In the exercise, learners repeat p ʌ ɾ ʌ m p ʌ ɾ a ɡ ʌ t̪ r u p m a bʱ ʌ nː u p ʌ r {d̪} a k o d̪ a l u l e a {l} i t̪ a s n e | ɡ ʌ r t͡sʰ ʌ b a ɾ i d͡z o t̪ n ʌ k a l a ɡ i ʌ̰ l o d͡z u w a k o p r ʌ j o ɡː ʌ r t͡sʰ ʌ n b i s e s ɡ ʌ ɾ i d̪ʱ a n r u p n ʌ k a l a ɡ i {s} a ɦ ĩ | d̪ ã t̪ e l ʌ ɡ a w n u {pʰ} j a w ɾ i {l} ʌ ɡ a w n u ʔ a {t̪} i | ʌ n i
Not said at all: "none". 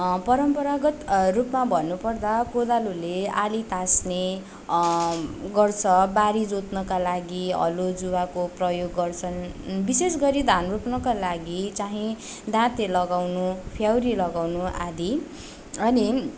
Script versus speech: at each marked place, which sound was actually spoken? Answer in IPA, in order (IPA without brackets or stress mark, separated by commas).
d̪, l, t͡s, pʰ, l, d̪